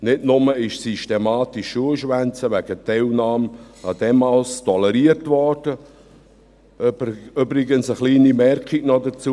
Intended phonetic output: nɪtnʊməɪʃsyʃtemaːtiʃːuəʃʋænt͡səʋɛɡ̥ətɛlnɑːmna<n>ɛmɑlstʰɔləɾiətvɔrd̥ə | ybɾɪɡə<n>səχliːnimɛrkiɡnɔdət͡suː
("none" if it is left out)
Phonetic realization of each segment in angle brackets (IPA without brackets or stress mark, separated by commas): d, n